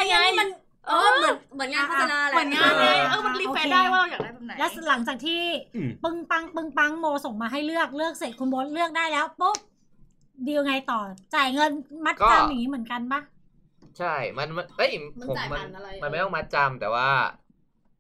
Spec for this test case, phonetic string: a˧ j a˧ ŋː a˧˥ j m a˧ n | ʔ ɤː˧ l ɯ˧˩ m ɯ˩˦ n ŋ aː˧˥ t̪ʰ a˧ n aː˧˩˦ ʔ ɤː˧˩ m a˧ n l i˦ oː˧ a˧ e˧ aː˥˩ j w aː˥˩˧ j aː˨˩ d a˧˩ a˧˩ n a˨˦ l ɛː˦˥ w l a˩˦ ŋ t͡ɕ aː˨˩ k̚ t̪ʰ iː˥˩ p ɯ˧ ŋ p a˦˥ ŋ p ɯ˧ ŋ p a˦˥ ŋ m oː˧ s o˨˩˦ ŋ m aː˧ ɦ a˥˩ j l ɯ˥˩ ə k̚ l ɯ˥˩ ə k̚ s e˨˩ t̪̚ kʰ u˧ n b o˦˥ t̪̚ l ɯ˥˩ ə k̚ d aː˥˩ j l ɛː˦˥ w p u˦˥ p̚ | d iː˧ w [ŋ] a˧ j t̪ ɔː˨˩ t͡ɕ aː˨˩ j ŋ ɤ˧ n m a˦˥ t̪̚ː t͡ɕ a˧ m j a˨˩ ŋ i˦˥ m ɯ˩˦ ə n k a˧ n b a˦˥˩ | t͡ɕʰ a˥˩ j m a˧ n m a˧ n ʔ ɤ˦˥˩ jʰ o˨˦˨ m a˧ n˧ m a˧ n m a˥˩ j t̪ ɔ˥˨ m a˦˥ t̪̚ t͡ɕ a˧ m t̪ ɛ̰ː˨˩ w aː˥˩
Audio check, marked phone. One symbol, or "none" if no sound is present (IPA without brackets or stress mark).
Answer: ŋ